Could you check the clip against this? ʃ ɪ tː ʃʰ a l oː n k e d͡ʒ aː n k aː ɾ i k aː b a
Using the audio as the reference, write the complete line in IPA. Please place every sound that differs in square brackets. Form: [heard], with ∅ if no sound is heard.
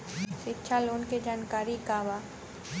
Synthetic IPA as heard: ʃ ɪ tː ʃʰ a l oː n k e d͡ʒ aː n k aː ɾ i k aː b a